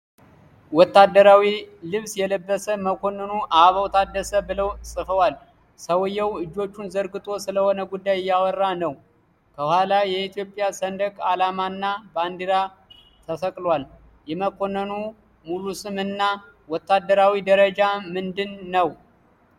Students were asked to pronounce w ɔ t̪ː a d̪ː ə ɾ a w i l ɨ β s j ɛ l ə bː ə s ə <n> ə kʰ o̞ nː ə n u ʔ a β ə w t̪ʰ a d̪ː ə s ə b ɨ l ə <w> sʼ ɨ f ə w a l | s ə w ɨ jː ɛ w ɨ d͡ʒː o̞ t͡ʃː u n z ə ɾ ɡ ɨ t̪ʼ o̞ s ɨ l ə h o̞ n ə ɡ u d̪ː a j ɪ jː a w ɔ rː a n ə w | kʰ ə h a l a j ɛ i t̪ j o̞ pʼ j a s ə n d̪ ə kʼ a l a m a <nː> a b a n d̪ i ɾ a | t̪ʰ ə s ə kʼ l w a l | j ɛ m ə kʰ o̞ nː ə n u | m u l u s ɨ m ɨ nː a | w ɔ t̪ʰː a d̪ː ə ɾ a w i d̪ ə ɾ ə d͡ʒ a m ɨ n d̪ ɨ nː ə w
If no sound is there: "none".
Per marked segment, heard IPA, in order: m, w, nː

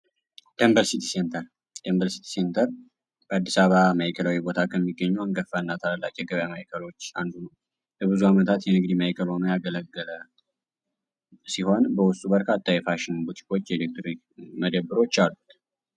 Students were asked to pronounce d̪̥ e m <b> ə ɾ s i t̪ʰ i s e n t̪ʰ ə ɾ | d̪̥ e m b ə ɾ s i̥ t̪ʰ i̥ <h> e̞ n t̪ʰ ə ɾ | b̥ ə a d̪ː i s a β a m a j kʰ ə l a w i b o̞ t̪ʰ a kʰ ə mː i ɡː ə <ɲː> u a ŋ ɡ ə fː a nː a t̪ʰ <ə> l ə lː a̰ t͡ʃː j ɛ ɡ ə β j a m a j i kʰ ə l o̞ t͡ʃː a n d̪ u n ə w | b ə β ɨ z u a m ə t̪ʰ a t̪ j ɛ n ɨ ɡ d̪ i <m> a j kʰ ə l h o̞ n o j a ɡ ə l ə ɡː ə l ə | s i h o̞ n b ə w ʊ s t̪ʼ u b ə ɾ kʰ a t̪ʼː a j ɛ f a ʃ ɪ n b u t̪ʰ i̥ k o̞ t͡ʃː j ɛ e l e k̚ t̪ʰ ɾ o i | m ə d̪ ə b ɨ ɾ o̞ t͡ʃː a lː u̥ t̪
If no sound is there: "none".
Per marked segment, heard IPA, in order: b, s, ɲː, a, m

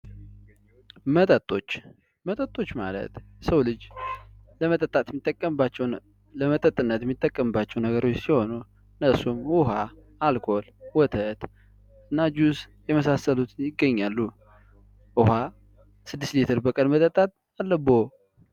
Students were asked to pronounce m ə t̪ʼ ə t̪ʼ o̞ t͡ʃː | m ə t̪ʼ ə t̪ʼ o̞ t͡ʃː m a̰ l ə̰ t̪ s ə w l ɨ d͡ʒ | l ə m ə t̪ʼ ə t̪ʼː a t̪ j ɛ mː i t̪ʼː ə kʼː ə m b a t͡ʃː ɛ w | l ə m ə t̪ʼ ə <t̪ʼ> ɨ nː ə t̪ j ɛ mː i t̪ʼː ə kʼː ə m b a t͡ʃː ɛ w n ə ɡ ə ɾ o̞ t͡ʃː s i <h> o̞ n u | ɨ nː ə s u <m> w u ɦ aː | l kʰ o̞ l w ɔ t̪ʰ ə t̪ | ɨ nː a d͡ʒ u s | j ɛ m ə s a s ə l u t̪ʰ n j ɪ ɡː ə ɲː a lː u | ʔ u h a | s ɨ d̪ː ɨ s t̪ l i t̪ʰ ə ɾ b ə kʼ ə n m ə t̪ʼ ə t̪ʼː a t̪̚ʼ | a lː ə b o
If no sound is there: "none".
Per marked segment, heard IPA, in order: t̪ʼ, h, m

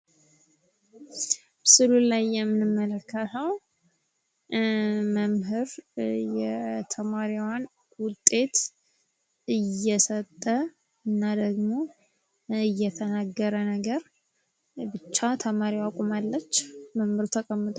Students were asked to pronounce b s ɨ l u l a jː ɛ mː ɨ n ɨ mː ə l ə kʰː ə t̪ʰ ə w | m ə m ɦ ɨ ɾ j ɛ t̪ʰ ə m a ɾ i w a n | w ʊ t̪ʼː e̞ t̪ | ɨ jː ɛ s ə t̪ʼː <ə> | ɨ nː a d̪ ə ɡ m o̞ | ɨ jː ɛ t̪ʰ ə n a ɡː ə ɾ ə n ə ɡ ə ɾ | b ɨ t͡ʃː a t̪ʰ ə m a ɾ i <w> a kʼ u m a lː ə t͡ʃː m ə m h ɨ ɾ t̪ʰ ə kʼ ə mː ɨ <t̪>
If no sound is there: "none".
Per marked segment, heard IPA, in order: ə, w, t̪ʼ

